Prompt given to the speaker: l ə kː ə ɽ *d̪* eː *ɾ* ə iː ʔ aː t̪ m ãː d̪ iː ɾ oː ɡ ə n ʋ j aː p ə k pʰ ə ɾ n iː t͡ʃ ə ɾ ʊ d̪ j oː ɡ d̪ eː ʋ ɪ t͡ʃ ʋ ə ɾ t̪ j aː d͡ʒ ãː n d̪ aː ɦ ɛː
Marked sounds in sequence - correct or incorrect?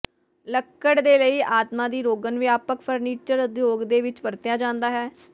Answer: correct, incorrect

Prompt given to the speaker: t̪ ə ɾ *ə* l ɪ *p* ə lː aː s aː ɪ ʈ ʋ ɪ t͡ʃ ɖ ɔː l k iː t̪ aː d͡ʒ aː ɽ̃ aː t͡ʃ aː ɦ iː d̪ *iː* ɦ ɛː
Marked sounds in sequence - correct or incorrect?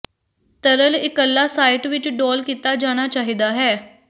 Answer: correct, incorrect, incorrect

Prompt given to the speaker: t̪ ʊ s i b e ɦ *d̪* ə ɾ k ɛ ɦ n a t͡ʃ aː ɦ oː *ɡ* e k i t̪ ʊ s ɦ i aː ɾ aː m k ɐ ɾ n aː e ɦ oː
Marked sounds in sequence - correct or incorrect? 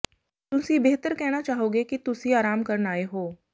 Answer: incorrect, correct

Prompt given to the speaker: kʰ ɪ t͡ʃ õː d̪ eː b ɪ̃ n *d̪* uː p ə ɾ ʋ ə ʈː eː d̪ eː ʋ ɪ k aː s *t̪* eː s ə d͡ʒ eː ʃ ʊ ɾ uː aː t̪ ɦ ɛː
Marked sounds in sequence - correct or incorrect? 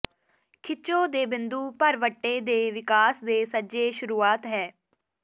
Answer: correct, incorrect

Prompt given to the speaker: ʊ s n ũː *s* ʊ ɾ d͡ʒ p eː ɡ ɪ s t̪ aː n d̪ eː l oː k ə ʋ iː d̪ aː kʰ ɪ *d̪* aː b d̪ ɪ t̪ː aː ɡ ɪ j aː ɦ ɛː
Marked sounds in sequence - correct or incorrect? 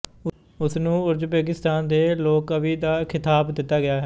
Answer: incorrect, incorrect

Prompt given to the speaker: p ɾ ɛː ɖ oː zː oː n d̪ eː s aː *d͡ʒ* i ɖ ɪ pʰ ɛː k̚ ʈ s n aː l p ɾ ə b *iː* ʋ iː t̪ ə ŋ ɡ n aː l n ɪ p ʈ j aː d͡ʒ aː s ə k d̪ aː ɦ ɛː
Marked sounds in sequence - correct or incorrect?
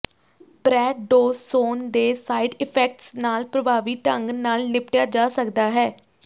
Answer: incorrect, incorrect

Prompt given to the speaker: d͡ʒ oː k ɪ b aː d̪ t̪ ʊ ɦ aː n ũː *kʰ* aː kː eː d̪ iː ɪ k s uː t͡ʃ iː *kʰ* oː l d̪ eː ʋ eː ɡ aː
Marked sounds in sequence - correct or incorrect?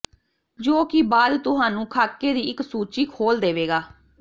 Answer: correct, correct

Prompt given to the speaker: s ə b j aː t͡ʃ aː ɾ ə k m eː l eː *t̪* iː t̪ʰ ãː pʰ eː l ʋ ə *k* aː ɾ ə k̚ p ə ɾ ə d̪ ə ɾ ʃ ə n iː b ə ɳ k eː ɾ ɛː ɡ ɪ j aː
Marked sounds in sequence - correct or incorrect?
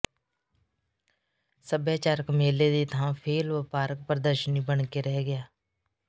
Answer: incorrect, incorrect

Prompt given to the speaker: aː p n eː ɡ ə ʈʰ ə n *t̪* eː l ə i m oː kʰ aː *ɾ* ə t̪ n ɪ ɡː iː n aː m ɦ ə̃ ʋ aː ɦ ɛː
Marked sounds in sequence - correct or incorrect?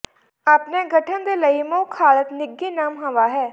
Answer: incorrect, incorrect

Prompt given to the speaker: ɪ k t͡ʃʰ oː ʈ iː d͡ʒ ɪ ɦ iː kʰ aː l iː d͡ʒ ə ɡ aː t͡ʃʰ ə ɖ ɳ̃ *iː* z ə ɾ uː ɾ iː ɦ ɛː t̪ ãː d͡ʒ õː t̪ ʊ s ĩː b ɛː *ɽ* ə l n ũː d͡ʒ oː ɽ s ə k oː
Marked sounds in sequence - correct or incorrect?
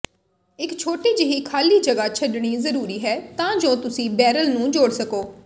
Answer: correct, incorrect

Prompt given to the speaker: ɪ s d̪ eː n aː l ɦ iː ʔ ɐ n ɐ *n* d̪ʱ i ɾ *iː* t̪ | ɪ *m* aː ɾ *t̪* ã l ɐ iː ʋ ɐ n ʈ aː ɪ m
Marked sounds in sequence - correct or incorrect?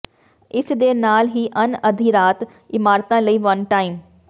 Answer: incorrect, incorrect, correct, correct

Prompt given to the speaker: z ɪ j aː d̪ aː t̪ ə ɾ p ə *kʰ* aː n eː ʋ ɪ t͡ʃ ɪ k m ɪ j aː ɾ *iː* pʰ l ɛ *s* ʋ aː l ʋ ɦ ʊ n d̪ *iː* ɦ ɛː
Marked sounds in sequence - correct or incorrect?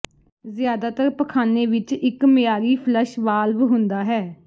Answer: correct, correct, incorrect, incorrect

